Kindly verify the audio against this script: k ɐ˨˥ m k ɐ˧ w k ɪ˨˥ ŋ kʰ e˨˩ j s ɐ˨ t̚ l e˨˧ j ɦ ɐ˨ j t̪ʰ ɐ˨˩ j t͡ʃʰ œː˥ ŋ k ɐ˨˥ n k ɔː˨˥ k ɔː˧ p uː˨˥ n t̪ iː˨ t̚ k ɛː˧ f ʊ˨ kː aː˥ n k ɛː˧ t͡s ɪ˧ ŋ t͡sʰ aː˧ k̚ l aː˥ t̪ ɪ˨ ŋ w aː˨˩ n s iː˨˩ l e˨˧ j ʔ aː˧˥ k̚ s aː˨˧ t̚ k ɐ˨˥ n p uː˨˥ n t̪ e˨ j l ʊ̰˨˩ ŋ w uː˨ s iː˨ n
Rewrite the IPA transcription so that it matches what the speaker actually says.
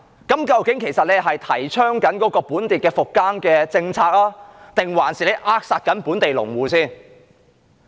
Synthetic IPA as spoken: k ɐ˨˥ m k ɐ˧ w k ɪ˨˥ ŋ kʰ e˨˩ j s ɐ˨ t̚ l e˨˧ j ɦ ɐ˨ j t̪ʰ ɐ˨˩ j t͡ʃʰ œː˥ ŋ k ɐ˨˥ n k ɔː˨˥ k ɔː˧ p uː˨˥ n t̪ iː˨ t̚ k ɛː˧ f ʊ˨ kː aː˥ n k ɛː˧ t͡s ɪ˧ ŋ t͡sʰ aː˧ k̚ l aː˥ t̪ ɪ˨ ŋ w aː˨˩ n s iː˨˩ l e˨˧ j ʔ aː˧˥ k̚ s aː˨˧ t̚ k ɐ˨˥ n p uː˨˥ n t̪ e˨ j l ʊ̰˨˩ ŋ w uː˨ s iː˥ n

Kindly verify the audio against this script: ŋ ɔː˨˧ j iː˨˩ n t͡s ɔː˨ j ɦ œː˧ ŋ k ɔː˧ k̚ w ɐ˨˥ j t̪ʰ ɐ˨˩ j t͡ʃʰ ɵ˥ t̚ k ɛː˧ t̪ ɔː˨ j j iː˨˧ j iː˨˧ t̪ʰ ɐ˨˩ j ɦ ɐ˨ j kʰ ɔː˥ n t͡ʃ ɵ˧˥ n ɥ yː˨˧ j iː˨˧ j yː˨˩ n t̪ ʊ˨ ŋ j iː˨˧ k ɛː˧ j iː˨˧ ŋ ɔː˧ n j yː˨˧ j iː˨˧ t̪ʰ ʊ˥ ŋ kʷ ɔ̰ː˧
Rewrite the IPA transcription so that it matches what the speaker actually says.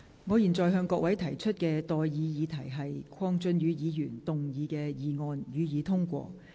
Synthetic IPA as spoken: ŋ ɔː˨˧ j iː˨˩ n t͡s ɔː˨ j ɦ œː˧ ŋ k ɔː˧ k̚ w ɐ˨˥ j t̪ʰ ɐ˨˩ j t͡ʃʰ ɵ˥ t̚ k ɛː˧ t̪ ɔː˨ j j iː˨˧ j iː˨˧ t̪ʰ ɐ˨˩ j ɦ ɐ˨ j kʰ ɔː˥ ŋ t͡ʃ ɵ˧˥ n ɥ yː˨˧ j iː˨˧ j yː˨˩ n t̪ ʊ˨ ŋ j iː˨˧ k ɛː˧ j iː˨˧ ŋ ɔː˧ n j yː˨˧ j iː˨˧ t̪ʰ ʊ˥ ŋ kʷ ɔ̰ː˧

